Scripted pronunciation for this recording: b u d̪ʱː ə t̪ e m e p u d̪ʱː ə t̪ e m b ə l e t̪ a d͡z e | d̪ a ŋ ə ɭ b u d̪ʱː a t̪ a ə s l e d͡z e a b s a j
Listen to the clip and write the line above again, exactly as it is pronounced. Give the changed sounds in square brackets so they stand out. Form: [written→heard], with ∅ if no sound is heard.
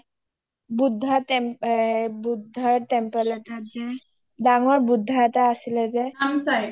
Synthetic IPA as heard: b u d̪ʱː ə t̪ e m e [p→b] u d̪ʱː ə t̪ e m [b→p] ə l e t̪ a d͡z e | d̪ a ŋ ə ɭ b u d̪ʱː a t̪ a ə s l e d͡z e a [b→m] s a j